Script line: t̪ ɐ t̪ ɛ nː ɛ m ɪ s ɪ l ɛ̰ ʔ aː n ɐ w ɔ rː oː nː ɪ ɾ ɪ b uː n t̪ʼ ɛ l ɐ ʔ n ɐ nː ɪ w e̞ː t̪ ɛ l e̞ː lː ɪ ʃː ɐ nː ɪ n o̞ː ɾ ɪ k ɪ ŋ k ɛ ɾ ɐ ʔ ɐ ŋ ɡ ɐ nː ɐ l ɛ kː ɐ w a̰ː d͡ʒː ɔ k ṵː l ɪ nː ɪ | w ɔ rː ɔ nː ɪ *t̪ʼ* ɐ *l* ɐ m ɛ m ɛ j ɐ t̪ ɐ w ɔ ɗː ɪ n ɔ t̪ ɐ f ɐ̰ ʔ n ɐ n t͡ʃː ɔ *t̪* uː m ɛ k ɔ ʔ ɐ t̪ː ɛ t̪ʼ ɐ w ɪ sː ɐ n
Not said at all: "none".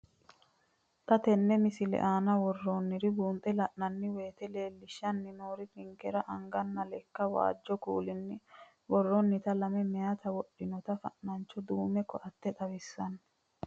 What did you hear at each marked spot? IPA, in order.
t̪, l, d̪

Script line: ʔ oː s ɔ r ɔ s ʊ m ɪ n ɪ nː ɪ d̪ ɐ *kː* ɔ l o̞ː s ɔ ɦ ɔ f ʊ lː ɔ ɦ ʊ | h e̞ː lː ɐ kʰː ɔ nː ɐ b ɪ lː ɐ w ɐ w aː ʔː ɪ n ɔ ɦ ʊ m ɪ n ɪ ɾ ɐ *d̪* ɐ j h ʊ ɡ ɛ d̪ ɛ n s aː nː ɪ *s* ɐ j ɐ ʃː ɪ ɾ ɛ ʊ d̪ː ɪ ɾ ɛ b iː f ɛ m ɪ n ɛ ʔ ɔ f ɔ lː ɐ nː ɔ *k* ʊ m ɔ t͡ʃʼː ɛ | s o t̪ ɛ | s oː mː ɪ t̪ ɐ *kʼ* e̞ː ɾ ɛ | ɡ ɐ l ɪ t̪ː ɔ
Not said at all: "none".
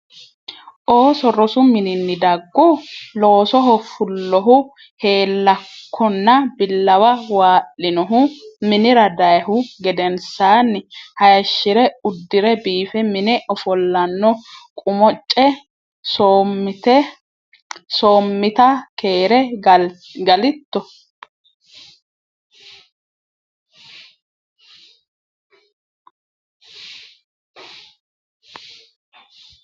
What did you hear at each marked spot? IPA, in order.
ɡː, d̪, h, kʼ, k

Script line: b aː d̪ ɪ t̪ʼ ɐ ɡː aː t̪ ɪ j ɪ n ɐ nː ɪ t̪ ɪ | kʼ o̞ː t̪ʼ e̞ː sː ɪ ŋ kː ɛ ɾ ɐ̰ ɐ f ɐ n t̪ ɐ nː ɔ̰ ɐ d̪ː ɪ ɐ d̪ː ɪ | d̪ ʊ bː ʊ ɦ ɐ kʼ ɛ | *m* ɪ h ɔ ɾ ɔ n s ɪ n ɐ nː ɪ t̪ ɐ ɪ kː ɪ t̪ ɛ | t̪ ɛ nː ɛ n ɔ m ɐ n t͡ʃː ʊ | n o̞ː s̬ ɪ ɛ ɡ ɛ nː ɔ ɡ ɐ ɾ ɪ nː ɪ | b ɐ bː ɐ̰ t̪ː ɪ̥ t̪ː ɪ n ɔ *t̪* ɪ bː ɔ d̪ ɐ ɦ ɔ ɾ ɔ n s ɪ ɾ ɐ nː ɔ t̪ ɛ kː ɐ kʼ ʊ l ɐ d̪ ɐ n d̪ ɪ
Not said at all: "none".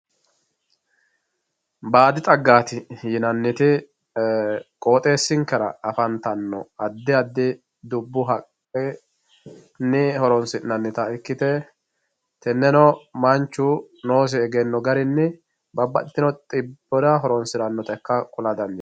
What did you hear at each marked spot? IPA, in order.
n, t̪ʼ

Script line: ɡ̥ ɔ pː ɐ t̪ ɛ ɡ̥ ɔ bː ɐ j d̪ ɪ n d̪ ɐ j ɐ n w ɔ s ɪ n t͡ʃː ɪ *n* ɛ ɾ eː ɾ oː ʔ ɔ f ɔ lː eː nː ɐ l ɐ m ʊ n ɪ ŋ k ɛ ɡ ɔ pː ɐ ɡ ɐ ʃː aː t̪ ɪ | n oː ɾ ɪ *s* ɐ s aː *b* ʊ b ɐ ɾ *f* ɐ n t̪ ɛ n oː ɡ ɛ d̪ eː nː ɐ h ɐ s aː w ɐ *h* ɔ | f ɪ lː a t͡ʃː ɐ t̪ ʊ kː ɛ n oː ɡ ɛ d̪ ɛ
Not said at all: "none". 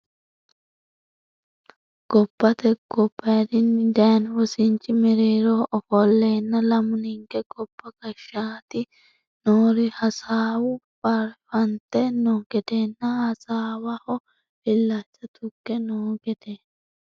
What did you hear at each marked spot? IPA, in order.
m, h, w, f, h

